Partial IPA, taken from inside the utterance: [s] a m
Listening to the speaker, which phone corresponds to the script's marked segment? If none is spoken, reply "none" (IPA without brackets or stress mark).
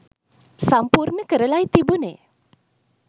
s